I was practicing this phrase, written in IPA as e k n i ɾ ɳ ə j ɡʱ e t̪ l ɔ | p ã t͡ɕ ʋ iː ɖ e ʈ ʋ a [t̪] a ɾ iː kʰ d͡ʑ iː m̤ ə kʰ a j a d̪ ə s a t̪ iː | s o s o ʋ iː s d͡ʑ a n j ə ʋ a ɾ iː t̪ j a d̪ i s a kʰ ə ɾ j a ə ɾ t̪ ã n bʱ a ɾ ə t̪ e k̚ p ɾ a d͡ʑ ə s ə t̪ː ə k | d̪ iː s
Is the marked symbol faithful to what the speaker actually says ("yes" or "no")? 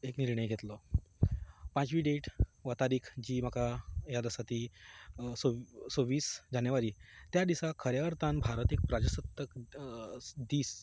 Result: yes